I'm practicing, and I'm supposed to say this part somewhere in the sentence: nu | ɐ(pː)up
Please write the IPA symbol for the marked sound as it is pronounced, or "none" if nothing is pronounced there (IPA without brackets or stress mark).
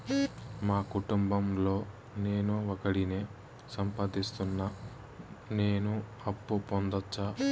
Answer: pː